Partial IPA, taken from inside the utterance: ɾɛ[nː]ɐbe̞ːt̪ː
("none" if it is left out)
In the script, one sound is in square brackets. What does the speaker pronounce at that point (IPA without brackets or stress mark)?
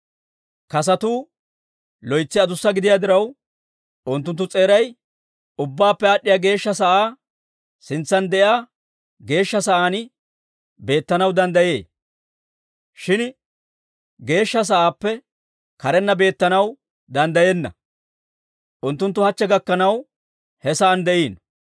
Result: nː